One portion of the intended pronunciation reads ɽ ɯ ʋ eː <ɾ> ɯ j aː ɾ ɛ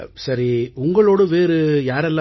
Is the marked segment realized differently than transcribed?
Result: no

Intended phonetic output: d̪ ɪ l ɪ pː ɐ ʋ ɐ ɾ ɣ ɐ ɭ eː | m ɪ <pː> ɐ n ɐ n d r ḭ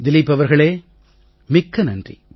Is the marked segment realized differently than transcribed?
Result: yes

